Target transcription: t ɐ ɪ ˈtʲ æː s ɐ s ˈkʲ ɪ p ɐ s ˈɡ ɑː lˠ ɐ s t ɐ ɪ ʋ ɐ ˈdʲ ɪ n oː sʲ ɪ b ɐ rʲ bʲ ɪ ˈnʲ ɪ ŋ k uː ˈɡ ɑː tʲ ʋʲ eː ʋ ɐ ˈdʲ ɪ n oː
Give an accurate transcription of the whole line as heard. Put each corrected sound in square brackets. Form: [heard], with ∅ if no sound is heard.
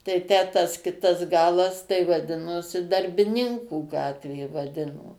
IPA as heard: t ɐ ɪ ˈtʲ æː [t] ɐ s ˈkʲ ɪ [t] ɐ s ˈɡ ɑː lˠ ɐ s t ɐ ɪ ʋ ɐ ˈdʲ ɪ n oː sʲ ɪ [d] ɐ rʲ bʲ ɪ ˈnʲ ɪ ŋ k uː ˈɡ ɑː tʲ ʋʲ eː ʋ ɐ ˈdʲ ɪ n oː